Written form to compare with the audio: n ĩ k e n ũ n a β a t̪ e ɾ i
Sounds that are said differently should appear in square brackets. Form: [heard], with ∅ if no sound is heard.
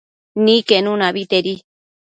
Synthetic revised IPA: n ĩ k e n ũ n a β [i] t̪ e ɾ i